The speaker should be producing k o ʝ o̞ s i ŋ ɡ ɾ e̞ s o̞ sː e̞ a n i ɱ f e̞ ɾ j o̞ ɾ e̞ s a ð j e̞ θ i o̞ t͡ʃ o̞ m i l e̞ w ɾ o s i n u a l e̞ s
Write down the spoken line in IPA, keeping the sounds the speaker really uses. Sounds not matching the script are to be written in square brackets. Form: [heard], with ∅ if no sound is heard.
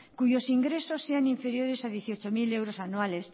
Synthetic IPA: k [u] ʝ o̞ s i ŋ ɡ ɾ e̞ s o̞ sː e̞ a n i ɱ f e̞ ɾ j o̞ ɾ e̞ s a ð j e̞ θ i o̞ t͡ʃ o̞ m i l e̞ w ɾ o s [a] n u a l e̞ s